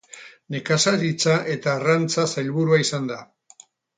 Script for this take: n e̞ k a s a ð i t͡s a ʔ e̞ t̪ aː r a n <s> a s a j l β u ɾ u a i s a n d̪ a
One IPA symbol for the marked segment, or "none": t͡s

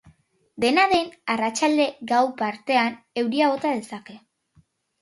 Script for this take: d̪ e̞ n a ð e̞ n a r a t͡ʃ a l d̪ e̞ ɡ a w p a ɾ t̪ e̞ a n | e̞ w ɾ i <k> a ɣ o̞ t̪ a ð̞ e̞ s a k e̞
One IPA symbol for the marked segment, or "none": none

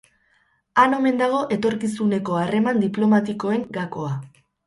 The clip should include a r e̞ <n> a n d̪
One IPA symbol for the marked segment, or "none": m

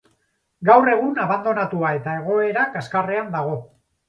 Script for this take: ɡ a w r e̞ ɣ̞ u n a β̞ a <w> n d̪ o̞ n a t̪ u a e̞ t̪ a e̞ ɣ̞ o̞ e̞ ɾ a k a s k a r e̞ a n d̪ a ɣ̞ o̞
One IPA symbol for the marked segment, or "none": none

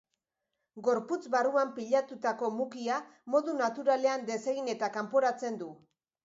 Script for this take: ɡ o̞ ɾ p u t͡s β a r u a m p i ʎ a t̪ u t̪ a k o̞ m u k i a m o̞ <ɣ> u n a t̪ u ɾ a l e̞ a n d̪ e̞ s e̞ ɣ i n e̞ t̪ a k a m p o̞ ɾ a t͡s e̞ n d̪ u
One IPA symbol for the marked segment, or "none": ð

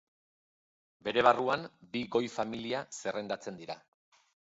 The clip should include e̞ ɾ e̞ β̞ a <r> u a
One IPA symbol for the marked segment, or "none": r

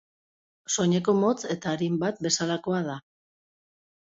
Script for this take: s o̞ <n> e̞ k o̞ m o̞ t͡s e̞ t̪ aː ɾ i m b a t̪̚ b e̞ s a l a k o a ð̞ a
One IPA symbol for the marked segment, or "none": ɲ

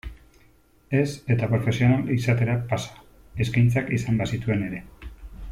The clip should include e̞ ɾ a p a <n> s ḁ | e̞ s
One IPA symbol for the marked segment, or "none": none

